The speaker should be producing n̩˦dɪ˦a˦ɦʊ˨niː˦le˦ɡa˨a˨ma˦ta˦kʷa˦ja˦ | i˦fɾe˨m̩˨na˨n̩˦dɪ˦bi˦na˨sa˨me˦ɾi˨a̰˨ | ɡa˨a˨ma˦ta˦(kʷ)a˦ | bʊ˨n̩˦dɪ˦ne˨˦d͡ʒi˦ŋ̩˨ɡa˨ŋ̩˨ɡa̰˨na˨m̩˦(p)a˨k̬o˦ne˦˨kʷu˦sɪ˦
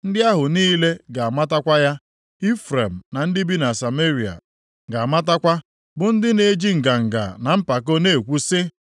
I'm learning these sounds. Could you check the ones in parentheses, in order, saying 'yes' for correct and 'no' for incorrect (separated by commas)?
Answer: yes, yes